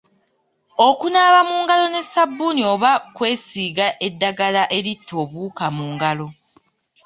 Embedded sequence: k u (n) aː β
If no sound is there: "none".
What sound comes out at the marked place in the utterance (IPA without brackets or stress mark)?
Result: n